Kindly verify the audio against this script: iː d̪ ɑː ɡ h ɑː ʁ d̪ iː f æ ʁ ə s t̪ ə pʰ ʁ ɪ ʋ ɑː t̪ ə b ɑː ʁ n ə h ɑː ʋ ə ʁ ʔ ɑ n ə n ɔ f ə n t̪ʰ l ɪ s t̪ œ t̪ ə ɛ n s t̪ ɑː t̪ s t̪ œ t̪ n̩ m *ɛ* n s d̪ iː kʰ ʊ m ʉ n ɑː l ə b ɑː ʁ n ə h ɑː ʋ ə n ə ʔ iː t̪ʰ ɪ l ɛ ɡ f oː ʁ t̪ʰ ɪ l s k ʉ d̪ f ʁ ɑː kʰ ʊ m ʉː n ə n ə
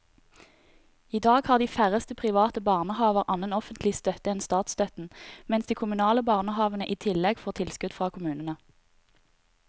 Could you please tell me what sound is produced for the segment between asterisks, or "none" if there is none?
ɛ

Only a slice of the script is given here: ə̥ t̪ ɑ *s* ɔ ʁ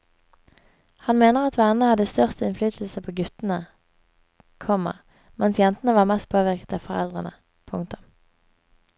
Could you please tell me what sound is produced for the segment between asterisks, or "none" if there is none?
f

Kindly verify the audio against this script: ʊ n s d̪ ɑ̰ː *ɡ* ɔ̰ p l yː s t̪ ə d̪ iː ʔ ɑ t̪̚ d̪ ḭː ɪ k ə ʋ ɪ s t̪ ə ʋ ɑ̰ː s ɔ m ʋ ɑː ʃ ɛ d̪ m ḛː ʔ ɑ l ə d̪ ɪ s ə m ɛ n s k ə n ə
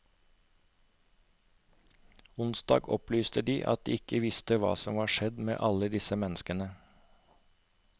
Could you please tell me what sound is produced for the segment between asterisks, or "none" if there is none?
ɡ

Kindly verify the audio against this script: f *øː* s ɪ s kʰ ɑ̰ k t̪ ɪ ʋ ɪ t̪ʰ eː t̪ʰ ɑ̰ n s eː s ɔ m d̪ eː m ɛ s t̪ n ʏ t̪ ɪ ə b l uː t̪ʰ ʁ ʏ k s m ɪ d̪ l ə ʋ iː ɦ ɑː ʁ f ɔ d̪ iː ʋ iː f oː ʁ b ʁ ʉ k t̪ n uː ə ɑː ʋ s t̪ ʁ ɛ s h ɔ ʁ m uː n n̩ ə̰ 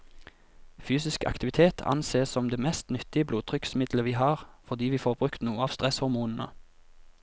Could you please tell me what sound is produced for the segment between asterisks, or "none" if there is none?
yː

